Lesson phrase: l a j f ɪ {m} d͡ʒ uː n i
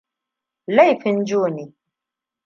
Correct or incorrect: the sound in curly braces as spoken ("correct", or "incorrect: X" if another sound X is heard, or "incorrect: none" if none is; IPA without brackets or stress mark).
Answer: incorrect: n